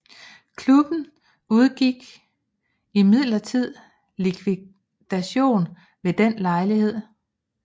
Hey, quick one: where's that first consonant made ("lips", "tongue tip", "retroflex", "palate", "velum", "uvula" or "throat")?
velum